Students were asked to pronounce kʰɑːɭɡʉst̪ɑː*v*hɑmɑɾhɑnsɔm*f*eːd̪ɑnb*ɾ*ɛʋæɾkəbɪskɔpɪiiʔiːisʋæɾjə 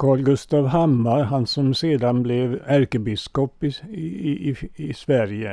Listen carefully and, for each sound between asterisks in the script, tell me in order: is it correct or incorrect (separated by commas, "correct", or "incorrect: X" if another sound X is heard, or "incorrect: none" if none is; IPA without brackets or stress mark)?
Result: incorrect: ʋ, incorrect: s, incorrect: l